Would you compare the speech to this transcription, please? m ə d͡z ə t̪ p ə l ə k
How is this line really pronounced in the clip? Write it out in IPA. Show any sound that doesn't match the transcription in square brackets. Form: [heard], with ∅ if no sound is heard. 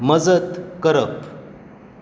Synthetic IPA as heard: m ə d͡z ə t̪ [k] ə [ɾ] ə [p]